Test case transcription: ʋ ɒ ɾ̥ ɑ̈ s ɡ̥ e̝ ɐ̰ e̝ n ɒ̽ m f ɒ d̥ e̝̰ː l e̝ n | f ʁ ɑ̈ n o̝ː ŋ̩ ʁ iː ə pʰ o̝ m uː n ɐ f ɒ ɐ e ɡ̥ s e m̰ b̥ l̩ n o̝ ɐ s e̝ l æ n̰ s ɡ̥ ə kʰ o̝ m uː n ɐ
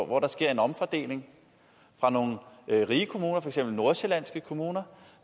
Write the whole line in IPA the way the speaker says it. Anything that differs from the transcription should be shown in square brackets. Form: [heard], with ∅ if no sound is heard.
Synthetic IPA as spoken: ʋ ɒ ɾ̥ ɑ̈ s ɡ̥ e̝ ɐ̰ e̝ n ɒ̽ m f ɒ d̥ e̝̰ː l e̝ [ŋ] | f ʁ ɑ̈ n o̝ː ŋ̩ ʁ iː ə [kʰ] o̝ m uː n ɐ f ɒ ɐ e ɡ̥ s e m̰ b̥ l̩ n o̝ ɐ s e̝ l æ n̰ s ɡ̥ ə kʰ o̝ m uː n ɐ